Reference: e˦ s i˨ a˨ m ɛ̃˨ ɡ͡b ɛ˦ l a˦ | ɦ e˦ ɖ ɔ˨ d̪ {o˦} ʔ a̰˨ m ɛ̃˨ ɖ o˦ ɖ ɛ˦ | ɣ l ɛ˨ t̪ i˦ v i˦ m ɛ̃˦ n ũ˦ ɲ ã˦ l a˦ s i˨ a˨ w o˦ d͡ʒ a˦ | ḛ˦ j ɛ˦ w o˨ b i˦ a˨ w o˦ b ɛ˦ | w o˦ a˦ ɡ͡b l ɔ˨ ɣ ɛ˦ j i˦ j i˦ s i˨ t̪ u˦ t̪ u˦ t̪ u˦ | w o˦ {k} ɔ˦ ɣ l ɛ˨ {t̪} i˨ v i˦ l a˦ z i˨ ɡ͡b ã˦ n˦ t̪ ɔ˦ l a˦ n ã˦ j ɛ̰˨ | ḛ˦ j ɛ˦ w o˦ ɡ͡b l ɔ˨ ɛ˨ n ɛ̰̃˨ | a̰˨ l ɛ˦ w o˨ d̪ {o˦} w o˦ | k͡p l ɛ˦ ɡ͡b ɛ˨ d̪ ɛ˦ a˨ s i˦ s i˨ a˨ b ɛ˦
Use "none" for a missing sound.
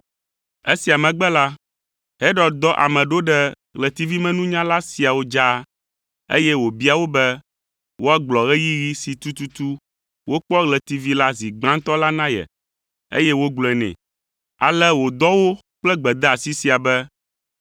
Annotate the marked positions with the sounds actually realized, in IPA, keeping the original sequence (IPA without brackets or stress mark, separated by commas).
ɔ˦, k͡p, t̪, ɔ˦